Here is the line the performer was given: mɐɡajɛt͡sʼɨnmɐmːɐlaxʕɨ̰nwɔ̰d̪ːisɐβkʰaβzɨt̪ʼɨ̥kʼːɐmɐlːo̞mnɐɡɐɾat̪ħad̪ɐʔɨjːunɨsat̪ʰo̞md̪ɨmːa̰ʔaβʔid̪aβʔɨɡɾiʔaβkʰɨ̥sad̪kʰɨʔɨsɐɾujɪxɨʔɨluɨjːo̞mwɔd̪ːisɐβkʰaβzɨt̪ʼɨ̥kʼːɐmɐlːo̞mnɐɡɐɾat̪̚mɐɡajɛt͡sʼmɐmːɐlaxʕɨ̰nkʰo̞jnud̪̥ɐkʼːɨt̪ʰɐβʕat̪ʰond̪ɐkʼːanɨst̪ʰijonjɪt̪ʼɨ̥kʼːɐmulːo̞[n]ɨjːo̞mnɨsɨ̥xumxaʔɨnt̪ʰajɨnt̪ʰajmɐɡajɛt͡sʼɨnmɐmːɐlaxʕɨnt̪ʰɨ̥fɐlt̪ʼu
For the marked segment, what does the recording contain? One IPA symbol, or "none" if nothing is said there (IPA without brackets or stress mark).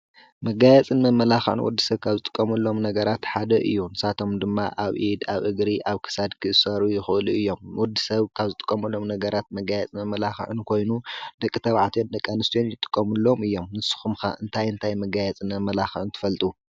m